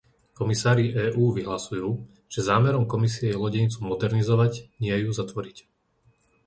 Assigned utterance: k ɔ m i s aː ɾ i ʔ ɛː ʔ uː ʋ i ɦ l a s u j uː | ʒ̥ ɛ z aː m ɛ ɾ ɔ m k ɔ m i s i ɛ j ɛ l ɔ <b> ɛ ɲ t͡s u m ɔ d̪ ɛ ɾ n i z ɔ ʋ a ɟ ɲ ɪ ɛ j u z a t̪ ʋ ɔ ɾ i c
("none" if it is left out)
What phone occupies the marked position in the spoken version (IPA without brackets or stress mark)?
ɟ